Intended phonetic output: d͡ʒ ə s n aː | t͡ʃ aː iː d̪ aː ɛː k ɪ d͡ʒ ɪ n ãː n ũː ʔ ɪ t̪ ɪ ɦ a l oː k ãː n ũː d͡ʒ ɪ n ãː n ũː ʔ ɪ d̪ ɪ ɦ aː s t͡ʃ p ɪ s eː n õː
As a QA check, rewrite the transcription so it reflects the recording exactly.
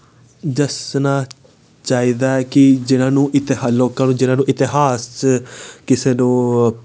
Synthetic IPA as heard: d͡ʒ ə s n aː | t͡ʃ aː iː d̪ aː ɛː k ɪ d͡ʒ ɪ n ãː n ũː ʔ ɪ t̪ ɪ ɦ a l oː k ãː n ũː d͡ʒ ɪ n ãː n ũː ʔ ɪ t̪ ɪ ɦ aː s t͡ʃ k ɪ s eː n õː